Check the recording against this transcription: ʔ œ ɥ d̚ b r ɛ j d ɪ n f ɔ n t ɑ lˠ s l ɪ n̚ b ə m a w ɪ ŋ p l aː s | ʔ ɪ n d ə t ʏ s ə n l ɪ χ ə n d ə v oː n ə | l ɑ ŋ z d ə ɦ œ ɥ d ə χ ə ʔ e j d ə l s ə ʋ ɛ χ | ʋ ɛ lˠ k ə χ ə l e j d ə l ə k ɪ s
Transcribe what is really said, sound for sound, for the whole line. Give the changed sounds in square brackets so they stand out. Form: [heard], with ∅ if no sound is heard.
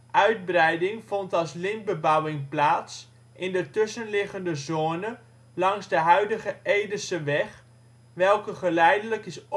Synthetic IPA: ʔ œ ɥ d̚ b r ɛ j d ɪ [ŋ] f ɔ n t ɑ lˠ s l ɪ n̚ b ə [b] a w ɪ ŋ p l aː s | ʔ ɪ n d ə t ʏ s ə n l ɪ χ ə n d ə [z] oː n ə | l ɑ ŋ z d ə ɦ œ ɥ d ə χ ə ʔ e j d ə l s ə ʋ ɛ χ | ʋ ɛ lˠ k ə χ ə l [ɛ] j d ə l ə k ɪ s